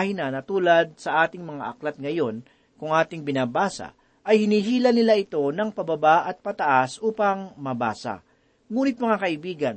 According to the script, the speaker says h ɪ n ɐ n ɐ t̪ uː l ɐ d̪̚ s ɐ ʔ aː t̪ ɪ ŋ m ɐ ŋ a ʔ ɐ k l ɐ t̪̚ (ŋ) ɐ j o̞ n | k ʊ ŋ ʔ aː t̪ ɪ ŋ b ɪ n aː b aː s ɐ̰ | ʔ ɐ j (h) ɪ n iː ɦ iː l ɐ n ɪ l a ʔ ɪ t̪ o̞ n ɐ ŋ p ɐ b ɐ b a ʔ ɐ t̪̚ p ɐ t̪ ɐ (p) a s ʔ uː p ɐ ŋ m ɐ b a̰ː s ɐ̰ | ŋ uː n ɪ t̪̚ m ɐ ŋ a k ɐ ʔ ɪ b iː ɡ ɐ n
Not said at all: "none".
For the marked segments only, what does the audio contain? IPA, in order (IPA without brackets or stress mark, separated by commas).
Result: ŋ, h, ʔ